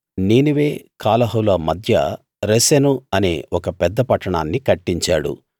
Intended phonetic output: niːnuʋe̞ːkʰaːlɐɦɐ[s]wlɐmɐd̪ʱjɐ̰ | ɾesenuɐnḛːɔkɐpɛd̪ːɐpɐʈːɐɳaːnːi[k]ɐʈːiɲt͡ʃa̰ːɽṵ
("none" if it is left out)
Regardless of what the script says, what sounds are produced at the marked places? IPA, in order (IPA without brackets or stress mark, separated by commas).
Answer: none, k